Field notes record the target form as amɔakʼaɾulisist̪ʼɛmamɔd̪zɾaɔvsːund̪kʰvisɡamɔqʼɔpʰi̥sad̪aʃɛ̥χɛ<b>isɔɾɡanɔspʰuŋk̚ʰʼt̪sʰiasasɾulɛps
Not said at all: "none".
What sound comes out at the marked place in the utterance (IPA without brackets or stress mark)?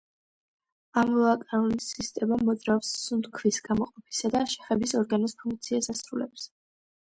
b